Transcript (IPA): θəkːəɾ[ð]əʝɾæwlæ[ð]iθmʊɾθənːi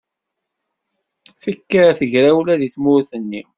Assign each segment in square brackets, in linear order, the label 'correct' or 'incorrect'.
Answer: incorrect: θ, correct

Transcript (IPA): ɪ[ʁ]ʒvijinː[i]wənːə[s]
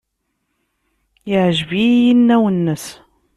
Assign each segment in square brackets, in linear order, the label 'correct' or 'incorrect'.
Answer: incorrect: ʕ, incorrect: æ, correct

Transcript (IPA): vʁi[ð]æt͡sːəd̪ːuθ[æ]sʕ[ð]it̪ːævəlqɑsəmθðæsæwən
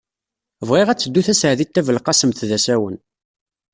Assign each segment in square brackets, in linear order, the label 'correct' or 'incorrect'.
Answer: incorrect: ʁ, correct, correct

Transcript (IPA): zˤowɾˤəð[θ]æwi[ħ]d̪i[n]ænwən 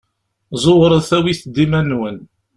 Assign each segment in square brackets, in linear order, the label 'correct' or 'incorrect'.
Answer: correct, incorrect: θ, incorrect: m

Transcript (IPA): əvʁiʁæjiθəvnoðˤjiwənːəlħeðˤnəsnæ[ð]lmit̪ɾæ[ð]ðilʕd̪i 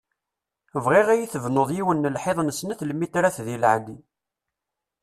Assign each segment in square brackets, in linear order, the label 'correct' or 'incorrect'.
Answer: incorrect: θ, incorrect: θ

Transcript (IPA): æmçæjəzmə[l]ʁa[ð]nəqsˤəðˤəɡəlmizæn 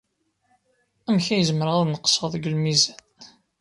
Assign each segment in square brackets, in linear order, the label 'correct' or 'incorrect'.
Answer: incorrect: ɾ, correct

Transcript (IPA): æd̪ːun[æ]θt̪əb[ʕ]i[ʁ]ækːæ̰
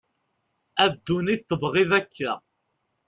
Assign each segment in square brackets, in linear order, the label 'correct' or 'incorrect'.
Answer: incorrect: i, incorrect: ʁ, incorrect: ð

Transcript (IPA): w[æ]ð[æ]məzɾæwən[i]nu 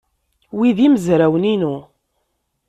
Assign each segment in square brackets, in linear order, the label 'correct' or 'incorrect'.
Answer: incorrect: i, incorrect: i, correct

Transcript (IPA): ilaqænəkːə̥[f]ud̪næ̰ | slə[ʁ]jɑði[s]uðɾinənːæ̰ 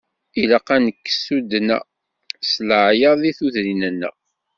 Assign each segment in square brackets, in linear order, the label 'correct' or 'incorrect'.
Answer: incorrect: s, incorrect: ʕ, incorrect: θ

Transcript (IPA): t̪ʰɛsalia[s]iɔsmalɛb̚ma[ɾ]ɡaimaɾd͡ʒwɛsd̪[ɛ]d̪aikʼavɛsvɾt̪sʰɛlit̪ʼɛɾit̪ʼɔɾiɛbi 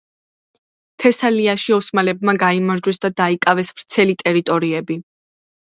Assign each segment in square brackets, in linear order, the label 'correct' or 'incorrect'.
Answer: incorrect: ʃ, incorrect: none, incorrect: a

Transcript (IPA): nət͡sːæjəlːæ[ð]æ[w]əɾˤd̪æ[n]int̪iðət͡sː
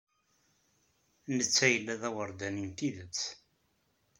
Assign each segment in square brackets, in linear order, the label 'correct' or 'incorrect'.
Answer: correct, correct, correct

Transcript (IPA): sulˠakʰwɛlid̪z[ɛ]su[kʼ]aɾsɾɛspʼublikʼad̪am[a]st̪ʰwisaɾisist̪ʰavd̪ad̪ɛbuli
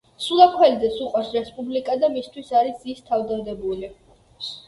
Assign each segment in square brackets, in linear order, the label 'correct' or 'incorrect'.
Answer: correct, incorrect: qʼ, incorrect: i

